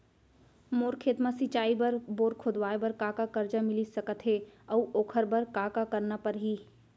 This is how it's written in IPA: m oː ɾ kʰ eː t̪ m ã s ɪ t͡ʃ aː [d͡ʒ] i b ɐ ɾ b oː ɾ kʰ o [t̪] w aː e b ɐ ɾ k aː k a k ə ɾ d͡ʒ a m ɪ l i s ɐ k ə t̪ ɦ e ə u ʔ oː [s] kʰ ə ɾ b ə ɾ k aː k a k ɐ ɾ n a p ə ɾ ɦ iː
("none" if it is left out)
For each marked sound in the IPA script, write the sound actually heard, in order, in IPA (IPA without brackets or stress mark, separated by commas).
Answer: none, d̪, none